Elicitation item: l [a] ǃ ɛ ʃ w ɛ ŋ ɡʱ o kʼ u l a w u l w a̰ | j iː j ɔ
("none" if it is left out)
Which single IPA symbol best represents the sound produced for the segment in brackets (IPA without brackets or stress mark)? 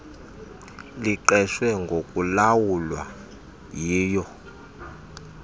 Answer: i